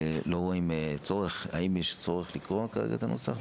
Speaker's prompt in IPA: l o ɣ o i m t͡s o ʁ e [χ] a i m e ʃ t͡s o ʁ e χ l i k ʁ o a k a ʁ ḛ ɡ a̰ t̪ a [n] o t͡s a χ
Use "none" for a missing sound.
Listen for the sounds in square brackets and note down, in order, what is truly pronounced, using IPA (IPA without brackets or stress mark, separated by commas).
χ, n